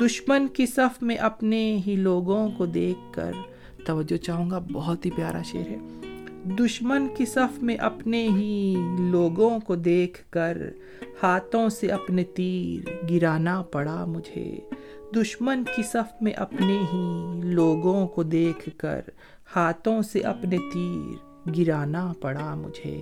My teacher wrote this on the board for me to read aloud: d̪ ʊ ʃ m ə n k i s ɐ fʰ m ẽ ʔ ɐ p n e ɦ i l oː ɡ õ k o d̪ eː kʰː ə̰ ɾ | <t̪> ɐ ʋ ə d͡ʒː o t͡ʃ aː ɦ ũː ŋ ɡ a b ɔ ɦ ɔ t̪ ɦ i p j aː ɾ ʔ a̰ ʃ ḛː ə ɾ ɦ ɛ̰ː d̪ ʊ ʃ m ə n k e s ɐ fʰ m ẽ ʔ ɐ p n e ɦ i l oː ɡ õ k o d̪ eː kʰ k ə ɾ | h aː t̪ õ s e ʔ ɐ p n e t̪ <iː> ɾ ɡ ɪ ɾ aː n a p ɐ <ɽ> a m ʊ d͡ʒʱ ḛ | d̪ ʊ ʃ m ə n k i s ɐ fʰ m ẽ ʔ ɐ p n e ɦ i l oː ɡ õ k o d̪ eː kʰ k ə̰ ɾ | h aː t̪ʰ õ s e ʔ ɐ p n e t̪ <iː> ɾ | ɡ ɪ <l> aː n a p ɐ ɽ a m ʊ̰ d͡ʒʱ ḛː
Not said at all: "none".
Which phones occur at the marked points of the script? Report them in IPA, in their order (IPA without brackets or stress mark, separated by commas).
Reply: t̪, iː, ɽ, iː, ɾ